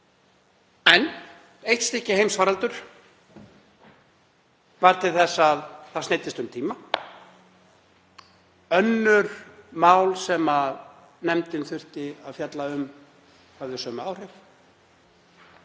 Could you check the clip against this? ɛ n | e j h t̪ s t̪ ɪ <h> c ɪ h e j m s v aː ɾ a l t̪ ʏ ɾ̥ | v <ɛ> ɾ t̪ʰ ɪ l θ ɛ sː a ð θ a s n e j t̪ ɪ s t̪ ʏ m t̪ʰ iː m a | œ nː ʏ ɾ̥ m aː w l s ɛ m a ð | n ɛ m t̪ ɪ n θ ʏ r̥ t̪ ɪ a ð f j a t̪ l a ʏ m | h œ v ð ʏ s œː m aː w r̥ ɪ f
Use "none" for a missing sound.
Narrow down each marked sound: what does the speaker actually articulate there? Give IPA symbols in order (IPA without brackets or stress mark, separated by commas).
h, a